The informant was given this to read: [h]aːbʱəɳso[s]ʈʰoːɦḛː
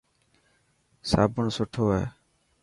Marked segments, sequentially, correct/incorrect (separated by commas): incorrect, incorrect